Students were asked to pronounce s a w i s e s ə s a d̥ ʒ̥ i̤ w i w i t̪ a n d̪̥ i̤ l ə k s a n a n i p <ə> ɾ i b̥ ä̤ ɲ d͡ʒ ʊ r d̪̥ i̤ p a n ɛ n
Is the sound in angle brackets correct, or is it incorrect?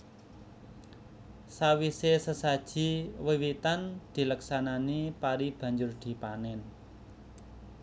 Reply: incorrect: a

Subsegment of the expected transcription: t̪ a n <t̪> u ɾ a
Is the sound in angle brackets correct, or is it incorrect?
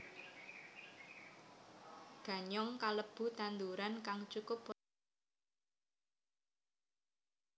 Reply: incorrect: d̪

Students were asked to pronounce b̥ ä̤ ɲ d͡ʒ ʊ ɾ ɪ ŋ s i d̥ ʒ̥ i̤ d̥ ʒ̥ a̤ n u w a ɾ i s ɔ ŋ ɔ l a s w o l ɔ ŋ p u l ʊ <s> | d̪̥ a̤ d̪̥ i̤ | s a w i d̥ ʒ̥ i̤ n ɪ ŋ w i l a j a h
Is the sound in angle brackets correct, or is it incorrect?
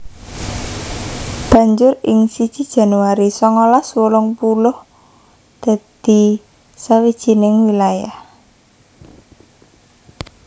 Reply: incorrect: h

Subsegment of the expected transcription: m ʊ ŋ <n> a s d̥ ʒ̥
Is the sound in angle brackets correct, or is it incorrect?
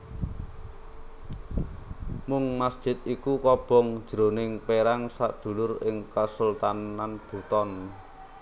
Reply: incorrect: m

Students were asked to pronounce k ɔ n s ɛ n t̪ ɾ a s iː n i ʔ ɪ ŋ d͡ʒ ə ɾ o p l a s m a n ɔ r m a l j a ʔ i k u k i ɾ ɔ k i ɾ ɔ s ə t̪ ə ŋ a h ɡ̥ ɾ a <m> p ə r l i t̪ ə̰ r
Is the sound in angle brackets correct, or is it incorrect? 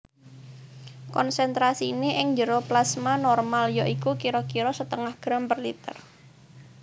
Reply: correct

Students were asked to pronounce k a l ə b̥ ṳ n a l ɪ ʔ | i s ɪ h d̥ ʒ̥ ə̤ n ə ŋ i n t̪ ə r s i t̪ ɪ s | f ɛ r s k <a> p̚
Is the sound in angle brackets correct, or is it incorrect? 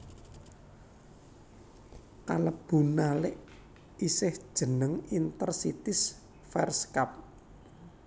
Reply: correct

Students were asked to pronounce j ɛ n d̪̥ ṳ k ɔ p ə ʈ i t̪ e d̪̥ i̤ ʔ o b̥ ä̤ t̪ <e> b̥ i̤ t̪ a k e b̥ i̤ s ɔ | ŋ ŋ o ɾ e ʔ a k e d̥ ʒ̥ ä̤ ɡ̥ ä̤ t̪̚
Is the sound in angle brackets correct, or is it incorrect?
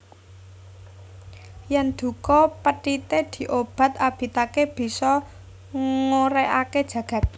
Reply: incorrect: a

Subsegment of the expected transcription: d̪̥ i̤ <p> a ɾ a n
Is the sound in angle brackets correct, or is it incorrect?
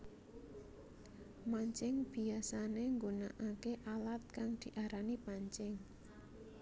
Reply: incorrect: ʔ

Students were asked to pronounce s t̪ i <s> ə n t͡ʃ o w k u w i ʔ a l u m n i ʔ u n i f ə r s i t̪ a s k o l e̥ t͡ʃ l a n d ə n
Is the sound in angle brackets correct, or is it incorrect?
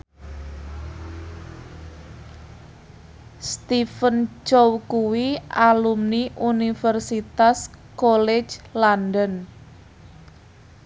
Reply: incorrect: f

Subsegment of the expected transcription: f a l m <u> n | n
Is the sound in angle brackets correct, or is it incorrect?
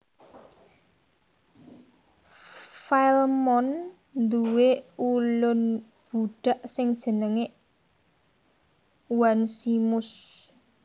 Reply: incorrect: ɔ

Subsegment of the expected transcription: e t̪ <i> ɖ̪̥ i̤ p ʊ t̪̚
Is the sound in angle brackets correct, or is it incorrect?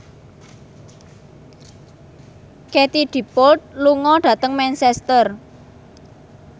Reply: correct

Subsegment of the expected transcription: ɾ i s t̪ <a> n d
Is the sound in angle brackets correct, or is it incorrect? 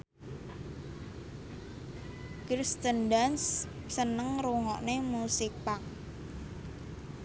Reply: incorrect: ə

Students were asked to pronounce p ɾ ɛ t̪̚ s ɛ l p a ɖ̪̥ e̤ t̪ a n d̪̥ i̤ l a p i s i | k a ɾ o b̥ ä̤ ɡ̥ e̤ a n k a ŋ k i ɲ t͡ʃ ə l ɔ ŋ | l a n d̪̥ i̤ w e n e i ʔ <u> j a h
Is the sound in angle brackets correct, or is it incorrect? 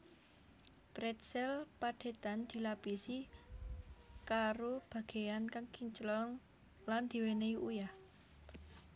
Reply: correct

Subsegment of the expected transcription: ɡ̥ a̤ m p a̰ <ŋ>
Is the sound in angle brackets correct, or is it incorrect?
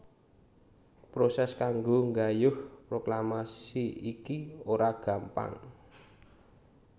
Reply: correct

